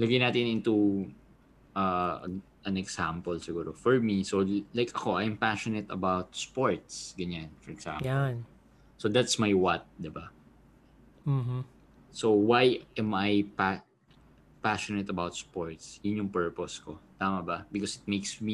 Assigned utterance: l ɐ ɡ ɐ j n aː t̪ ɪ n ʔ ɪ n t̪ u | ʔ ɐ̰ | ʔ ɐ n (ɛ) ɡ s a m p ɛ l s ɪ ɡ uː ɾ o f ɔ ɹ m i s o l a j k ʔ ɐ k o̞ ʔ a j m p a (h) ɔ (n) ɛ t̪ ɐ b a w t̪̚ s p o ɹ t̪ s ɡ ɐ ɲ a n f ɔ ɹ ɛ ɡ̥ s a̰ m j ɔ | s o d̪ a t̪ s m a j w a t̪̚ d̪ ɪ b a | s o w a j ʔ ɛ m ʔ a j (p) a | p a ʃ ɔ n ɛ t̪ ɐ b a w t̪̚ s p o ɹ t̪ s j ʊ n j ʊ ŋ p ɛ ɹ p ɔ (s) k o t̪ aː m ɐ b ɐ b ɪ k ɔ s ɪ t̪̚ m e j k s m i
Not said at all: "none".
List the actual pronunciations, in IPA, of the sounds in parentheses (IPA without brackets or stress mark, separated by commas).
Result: ɛ, ʃ, n, p, s